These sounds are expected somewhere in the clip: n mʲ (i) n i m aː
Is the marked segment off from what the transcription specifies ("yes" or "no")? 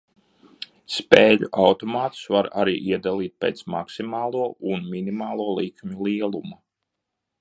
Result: no